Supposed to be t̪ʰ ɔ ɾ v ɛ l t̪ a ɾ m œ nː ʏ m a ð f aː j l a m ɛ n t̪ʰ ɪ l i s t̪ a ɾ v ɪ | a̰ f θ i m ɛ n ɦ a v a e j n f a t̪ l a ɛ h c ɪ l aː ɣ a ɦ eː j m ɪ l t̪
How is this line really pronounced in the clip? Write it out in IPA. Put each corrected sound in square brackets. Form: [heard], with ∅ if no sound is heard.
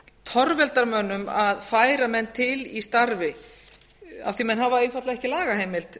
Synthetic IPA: t̪ʰ ɔ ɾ v ɛ l t̪ a ɾ m œ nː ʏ m a ð f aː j [ɾ] a m ɛ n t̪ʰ ɪ l i s t̪ a ɾ v ɪ | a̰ f θ i m ɛ n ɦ a v a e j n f a t̪ l a ɛ h c ɪ l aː ɣ a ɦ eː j m ɪ l t̪